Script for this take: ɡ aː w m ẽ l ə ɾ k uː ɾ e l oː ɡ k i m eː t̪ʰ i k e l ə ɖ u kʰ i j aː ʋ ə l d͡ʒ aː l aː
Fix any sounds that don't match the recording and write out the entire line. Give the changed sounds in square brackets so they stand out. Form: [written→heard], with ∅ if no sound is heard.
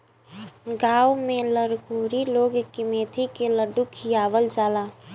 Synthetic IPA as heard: ɡ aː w m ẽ l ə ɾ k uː ɾ [e→i] l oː ɡ k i m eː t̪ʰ i k e l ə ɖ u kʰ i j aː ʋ ə l d͡ʒ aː l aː